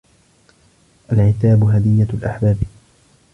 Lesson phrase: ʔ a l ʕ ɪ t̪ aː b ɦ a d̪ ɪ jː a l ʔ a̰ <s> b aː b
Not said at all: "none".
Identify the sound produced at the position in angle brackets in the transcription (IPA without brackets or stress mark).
ħ